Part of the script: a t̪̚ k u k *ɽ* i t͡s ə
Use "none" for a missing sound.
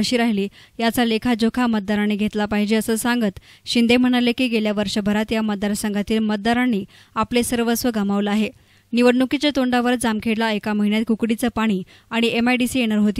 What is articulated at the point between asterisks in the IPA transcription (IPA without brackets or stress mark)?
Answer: ɽ